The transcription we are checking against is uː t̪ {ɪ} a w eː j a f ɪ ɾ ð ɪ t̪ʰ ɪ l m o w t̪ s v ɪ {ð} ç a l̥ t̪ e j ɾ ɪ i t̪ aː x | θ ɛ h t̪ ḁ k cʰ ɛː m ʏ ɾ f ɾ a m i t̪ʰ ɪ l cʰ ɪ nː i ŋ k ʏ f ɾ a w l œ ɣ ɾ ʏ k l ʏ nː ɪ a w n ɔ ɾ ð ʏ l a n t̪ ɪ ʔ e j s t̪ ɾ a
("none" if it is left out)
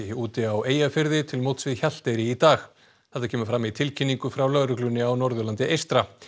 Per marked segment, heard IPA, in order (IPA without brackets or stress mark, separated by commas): ɪ, ð